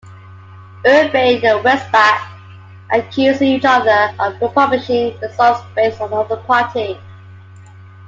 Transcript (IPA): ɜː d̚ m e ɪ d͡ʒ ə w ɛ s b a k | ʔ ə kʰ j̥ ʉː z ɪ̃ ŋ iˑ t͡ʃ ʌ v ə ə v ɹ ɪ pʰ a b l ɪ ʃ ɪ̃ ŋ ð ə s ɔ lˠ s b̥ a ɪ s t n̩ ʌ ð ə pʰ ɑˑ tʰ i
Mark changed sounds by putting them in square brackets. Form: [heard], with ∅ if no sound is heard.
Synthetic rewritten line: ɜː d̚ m e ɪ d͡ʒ ə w ɛ s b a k | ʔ ə kʰ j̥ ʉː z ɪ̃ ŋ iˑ t͡ʃ ʌ [ð] ə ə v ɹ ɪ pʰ [ʌ] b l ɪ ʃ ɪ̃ ŋ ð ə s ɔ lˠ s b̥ [e] ɪ s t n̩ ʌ ð ə pʰ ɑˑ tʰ i